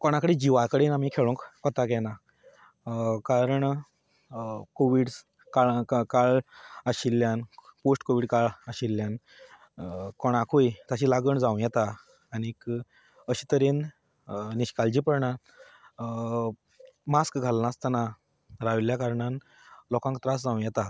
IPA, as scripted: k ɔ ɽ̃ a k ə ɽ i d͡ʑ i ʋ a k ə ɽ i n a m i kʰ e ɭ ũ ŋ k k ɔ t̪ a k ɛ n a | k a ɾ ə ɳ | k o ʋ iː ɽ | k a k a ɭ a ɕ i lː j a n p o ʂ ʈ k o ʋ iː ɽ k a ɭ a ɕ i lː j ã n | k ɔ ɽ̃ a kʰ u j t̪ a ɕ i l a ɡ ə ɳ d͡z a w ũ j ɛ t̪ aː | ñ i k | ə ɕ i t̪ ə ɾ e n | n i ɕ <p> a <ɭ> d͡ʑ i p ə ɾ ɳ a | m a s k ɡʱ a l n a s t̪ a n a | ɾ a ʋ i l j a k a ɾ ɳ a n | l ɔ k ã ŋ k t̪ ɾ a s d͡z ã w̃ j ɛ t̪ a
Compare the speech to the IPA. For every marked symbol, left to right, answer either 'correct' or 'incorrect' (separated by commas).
incorrect, incorrect